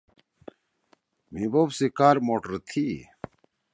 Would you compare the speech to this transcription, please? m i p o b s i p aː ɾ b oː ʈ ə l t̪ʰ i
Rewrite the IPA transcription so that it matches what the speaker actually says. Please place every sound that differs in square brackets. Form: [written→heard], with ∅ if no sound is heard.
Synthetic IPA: m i [p→b] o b s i [p→k] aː ɾ [b→m] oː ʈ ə [l→ɾ] t̪ʰ i